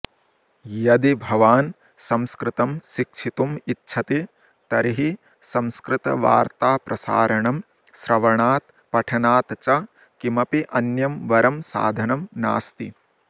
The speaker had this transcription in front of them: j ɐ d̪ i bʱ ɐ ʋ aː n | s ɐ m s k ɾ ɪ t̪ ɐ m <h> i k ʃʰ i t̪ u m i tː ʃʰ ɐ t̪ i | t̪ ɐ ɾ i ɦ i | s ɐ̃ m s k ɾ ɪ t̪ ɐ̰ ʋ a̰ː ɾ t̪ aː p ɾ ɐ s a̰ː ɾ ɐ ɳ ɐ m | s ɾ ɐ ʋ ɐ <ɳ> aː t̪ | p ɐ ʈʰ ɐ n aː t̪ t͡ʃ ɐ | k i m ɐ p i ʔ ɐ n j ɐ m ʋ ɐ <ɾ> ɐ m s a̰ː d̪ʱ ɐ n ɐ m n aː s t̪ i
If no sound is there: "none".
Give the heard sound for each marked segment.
ʃ, ɳ, ɾ

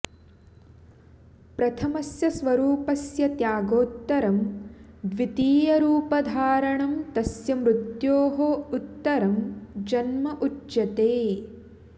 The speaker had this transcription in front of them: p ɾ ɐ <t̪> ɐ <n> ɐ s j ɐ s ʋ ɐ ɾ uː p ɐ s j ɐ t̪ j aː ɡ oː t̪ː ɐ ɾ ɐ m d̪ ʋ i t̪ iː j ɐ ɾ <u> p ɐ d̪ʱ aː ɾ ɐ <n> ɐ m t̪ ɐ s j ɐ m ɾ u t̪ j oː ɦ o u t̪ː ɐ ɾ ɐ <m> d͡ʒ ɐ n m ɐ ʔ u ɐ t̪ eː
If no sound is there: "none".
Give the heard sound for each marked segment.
t̪ʰ, m, uː, ɳ, m

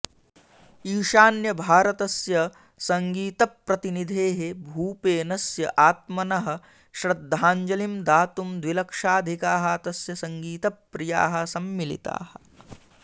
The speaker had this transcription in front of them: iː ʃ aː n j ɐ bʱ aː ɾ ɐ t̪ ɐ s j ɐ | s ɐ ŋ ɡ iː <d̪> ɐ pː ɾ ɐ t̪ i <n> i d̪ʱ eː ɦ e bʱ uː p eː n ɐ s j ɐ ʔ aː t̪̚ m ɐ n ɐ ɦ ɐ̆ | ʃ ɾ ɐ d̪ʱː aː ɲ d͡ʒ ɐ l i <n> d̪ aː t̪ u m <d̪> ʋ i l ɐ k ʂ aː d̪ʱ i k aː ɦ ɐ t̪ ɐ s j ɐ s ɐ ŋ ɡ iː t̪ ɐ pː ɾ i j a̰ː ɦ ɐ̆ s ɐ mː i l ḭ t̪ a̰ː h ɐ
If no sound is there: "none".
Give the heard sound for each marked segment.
t̪, n, m, d̪

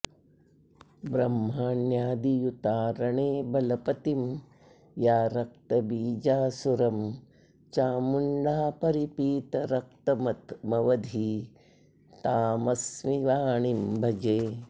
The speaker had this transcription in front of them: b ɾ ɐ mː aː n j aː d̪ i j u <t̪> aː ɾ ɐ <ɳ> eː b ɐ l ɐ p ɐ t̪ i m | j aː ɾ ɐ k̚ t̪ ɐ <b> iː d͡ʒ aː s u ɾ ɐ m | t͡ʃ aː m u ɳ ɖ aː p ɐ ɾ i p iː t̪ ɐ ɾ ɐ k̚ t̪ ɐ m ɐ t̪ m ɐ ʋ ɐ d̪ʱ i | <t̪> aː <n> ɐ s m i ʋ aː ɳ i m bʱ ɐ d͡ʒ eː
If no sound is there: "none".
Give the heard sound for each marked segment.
t̪, ɳ, b, t̪, m

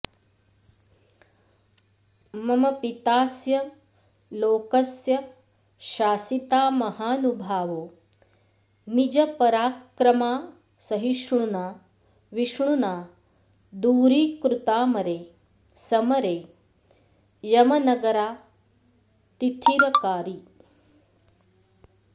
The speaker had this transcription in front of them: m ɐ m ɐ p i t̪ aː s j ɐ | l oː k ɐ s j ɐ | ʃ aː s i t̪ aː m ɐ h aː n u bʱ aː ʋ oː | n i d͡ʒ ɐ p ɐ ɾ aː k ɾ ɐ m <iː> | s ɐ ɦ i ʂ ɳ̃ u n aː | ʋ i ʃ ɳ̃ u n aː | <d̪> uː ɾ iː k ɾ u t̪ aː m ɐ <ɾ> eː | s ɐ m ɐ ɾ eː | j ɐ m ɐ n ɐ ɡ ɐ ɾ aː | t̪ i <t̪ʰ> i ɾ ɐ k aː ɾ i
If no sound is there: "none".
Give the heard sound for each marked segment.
aː, d̪, ɾ, t̪ʰ

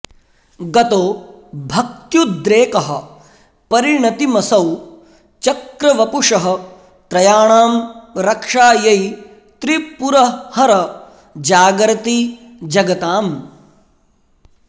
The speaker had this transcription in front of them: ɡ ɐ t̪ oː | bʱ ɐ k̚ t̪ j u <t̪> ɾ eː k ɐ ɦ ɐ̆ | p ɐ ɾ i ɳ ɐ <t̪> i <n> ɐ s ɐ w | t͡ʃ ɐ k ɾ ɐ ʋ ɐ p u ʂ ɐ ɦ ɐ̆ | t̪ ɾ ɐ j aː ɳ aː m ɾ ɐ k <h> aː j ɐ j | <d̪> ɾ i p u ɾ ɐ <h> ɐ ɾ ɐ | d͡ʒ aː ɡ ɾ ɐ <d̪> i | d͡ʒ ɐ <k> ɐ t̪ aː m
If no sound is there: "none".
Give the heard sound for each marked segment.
d̪, t̪, m, ʂ, t̪, h, t̪, ɡ

